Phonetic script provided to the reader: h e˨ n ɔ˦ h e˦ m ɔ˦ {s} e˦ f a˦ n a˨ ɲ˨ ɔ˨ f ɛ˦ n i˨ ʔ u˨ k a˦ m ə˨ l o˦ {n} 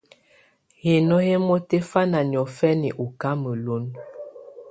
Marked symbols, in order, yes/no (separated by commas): no, yes